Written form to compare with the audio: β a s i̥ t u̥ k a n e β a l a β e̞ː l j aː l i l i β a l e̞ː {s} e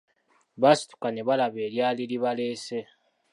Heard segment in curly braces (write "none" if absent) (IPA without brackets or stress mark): s